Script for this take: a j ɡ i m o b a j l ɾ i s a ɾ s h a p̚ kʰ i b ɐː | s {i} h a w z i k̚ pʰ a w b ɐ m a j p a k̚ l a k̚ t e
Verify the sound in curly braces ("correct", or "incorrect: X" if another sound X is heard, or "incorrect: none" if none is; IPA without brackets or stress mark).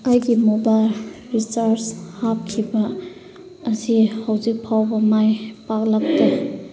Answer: correct